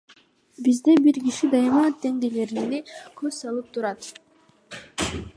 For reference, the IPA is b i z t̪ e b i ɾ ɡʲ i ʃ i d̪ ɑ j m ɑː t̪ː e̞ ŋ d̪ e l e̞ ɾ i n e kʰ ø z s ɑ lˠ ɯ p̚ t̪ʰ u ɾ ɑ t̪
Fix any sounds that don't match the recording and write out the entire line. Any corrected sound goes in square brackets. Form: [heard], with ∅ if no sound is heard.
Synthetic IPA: b i z [d̪] e b i ɾ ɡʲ i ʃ i d̪ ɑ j m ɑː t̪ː e̞ ŋ d̪ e l e̞ ɾ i n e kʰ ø z s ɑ lˠ ɯ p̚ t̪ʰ u ɾ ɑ t̪